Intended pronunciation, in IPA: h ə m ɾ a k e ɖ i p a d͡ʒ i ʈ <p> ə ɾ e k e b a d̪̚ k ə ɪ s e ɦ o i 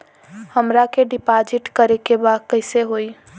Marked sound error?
yes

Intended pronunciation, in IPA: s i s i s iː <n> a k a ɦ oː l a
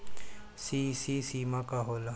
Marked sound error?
yes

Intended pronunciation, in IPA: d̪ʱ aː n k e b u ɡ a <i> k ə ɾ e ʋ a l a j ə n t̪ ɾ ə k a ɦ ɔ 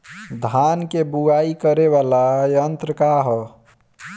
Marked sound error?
no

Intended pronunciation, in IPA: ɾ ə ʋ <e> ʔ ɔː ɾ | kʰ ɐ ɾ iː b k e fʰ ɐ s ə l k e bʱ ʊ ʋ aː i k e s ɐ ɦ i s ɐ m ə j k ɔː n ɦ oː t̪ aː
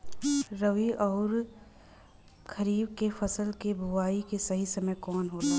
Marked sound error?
yes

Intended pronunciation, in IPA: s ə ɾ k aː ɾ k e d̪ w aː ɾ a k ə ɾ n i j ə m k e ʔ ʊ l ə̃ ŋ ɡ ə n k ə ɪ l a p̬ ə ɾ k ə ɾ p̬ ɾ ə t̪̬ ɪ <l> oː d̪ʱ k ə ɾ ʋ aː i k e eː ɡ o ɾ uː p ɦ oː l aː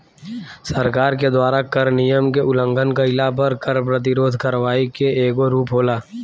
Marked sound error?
yes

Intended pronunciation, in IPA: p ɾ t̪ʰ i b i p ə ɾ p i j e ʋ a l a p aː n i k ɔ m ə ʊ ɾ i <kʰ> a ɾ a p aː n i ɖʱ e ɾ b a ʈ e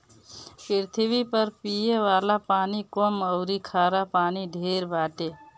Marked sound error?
no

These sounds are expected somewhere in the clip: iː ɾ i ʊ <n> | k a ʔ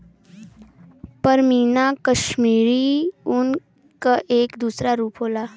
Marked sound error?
no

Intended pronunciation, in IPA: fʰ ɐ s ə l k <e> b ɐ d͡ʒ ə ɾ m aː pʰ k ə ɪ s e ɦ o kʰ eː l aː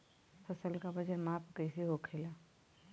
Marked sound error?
yes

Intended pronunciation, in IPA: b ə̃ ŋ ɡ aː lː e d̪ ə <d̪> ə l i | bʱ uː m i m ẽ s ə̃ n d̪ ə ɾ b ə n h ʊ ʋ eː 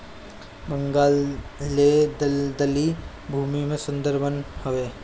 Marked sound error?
no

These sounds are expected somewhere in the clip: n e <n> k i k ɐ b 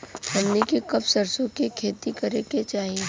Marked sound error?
yes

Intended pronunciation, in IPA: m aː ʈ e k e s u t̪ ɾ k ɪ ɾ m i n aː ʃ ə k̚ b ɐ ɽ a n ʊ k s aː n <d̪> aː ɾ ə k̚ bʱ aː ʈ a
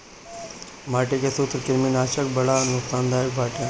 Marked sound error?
no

